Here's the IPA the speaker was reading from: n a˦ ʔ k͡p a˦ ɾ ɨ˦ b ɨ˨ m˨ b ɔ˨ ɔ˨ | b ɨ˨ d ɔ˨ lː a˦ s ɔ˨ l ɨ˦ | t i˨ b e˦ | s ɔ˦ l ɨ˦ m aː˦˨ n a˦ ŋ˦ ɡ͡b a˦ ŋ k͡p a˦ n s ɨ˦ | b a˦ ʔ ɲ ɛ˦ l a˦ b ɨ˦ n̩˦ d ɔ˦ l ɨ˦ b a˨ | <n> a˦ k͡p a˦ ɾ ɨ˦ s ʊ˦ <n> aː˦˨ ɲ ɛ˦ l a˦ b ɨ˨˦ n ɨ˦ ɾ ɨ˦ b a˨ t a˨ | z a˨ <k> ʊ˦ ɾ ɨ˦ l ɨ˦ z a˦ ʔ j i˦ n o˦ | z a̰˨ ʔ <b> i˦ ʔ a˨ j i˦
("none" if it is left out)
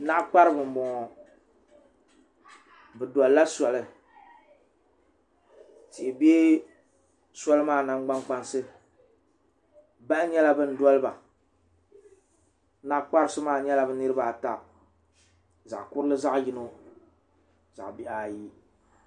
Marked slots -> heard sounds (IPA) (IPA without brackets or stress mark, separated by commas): n, m, k, b